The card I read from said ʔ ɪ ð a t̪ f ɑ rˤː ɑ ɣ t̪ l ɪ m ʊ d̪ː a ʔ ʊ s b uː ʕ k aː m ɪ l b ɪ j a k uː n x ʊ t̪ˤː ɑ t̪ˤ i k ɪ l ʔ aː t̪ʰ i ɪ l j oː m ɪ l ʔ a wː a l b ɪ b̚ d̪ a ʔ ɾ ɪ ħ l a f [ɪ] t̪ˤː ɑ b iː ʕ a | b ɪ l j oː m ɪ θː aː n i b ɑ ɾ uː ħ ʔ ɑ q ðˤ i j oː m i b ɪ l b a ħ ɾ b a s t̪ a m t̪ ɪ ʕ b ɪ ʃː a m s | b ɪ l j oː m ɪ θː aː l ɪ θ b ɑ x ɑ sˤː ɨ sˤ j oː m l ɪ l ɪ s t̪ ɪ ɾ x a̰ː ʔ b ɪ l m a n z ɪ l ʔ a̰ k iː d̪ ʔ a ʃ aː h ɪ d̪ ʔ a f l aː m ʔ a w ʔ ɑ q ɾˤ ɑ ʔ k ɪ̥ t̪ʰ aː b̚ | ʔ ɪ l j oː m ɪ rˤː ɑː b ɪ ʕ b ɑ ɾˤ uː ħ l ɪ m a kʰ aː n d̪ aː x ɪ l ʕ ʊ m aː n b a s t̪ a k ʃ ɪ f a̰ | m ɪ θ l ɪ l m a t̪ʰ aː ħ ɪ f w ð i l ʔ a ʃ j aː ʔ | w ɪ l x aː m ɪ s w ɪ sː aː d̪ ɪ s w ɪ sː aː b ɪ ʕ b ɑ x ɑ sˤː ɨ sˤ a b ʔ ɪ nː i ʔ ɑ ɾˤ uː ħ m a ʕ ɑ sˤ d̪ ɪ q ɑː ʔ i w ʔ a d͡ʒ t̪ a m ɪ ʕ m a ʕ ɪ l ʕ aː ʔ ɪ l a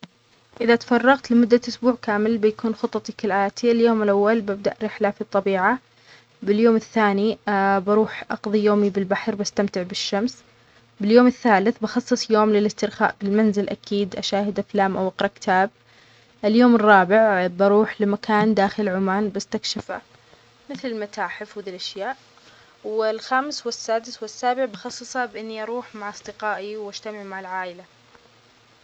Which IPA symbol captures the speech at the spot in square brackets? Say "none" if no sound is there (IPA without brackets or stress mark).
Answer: i